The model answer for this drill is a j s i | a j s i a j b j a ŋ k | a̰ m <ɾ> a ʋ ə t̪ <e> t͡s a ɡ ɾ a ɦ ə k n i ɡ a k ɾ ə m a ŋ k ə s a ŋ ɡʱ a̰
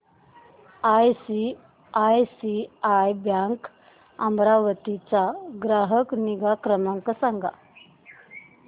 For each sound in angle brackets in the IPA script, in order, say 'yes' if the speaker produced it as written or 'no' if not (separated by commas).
yes, no